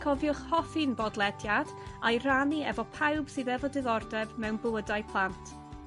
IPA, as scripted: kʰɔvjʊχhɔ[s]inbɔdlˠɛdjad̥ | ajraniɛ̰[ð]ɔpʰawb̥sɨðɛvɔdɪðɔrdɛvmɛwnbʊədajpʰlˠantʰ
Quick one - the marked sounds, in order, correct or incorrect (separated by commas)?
incorrect, incorrect